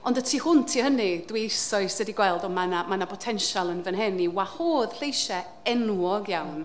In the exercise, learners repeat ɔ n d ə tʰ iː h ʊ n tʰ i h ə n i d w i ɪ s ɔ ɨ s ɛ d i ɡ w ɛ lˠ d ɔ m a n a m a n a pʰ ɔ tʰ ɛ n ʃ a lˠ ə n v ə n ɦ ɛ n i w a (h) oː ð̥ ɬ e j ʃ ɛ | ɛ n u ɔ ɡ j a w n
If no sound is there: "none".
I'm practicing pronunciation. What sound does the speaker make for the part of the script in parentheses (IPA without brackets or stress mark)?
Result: h